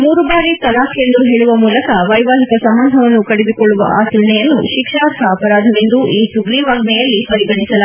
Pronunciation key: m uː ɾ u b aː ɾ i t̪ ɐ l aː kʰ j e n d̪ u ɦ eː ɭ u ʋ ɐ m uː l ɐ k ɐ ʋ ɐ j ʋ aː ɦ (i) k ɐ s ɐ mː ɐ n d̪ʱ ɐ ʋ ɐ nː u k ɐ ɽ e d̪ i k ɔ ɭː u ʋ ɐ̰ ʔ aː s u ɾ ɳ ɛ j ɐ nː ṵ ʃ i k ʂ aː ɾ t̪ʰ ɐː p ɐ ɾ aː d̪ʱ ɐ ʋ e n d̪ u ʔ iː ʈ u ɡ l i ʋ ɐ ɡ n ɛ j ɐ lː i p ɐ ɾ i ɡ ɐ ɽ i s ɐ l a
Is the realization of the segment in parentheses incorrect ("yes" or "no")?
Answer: no